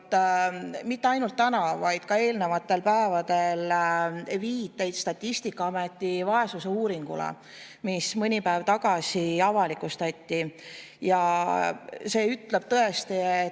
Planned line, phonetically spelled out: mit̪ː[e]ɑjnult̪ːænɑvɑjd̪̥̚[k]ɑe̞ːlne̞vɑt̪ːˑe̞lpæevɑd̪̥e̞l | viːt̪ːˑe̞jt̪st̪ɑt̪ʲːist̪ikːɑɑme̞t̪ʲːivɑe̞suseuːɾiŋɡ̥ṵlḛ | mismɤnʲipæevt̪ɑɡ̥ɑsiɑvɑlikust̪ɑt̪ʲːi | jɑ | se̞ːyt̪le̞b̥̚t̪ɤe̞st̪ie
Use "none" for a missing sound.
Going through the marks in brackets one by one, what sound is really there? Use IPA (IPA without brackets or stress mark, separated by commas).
e, k